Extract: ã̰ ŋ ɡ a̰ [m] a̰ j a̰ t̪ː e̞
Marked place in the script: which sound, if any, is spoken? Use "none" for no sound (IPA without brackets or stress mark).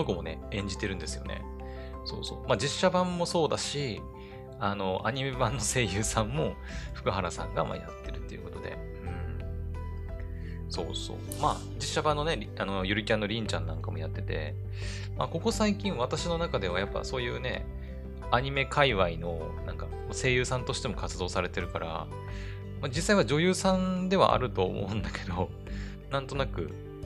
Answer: m